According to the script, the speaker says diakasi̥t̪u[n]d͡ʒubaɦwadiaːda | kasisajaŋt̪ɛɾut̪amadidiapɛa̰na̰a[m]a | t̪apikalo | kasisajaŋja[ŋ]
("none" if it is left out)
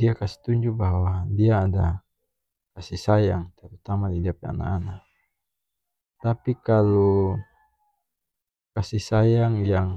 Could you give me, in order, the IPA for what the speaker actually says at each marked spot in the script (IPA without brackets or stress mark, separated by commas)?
ɲ, n, ŋ